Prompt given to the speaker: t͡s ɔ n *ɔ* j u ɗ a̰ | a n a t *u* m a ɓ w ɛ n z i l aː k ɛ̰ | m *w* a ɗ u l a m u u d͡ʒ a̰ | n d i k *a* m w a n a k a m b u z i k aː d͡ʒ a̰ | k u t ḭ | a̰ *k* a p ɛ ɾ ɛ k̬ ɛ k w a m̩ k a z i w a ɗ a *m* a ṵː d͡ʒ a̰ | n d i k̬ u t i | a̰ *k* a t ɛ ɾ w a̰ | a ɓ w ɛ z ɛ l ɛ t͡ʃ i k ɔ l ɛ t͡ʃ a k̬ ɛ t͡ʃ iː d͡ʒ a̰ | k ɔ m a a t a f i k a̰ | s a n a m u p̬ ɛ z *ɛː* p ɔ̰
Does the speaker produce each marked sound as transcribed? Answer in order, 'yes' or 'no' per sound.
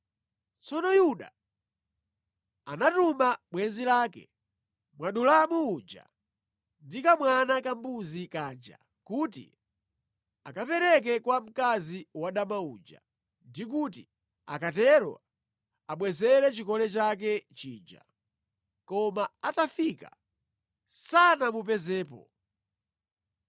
yes, yes, yes, yes, yes, yes, yes, yes

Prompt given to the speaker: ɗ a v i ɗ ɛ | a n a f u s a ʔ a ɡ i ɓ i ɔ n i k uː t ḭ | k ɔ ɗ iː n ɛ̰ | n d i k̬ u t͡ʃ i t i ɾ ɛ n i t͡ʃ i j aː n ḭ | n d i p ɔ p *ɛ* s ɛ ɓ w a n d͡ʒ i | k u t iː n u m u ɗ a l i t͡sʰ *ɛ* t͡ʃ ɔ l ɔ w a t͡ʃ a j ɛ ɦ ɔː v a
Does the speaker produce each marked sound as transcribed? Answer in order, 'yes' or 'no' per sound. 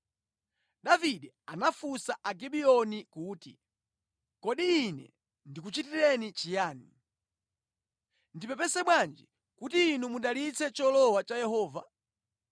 yes, yes

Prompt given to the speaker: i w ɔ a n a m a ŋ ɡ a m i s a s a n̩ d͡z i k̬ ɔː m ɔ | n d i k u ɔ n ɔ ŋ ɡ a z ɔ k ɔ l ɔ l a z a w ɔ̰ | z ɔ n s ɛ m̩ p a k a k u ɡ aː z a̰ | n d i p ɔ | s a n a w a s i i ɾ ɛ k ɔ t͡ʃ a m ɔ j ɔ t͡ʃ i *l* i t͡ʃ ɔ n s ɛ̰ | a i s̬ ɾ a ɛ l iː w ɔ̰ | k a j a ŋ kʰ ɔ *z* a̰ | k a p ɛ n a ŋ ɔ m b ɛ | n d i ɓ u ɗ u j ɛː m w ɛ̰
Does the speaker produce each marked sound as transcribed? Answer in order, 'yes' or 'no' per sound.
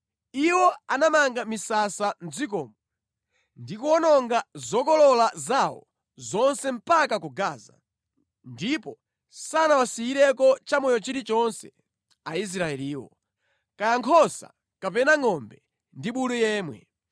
no, no

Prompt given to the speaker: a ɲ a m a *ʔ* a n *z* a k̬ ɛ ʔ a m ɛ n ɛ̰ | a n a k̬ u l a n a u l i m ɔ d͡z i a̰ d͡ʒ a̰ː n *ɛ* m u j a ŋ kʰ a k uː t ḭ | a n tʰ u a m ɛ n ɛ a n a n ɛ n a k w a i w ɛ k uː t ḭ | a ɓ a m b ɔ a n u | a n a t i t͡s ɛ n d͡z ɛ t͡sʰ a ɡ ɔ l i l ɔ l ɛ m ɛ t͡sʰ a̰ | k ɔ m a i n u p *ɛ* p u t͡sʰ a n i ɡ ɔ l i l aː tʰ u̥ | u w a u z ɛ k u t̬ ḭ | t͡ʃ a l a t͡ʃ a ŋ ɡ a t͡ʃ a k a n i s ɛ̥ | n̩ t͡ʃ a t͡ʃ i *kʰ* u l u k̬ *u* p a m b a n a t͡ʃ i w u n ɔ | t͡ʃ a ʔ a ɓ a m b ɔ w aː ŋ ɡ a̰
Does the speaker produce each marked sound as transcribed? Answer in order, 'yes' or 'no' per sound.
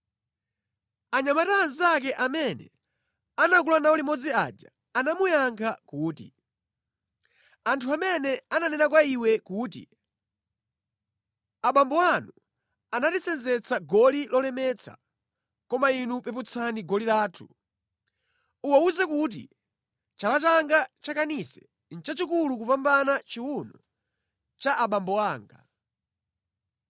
no, yes, no, yes, no, yes

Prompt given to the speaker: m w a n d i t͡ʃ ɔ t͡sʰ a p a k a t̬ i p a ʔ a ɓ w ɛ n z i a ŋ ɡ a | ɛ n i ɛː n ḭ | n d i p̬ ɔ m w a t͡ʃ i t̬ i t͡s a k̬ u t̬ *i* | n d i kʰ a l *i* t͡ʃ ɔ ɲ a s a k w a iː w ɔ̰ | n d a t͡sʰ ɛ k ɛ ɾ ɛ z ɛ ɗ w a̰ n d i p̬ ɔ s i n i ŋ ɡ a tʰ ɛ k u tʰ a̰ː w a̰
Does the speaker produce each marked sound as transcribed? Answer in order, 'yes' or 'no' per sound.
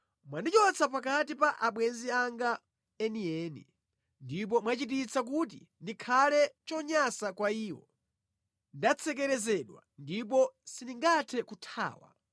yes, no

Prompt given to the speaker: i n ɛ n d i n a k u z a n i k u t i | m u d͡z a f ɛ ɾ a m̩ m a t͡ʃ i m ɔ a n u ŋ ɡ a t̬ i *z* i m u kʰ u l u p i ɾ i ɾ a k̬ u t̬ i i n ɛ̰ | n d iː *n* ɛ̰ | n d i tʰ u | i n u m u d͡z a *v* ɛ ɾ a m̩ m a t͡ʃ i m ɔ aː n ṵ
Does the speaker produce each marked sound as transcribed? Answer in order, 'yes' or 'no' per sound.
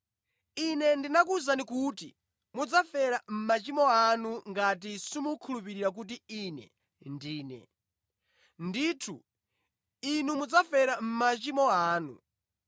no, yes, no

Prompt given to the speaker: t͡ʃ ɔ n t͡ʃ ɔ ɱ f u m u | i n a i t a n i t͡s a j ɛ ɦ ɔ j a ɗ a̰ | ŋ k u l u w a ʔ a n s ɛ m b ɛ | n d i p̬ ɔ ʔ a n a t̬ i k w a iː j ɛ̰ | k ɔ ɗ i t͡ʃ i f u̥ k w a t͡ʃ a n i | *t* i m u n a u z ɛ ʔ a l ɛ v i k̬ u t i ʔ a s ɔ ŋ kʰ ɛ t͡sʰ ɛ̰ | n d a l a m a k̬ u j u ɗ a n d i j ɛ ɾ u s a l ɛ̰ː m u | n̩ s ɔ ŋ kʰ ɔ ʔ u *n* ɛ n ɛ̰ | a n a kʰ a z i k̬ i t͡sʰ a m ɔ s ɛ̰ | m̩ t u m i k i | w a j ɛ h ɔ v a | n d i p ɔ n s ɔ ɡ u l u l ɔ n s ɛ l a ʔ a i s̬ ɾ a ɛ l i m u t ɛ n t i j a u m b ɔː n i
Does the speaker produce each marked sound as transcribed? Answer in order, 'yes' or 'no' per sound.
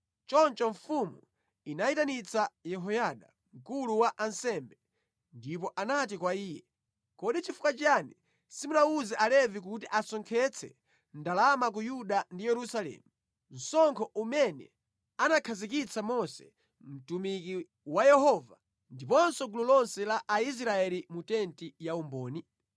no, no

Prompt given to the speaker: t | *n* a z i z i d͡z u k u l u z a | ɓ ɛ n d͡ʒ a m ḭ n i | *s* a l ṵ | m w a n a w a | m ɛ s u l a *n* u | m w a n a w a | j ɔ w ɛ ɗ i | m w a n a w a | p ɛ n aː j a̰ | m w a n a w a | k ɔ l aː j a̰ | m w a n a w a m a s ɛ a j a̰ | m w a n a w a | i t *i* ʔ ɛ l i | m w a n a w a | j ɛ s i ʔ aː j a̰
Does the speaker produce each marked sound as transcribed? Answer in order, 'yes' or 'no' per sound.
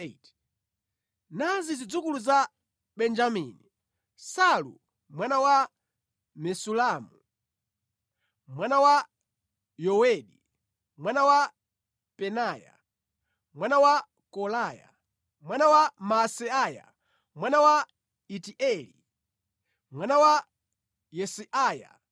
yes, yes, no, yes

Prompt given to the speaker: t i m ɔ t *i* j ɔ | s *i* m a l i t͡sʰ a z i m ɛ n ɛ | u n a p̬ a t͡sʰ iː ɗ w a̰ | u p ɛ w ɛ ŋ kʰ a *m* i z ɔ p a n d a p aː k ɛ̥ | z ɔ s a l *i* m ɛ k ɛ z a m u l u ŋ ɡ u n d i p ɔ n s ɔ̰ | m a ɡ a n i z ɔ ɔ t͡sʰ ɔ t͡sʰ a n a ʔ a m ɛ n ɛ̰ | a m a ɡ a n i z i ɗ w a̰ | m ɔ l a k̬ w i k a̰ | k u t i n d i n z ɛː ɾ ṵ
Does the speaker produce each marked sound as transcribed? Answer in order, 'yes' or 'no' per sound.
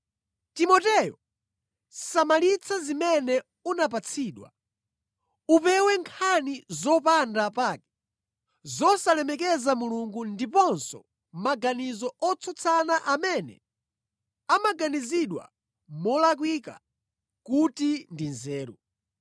no, no, no, no

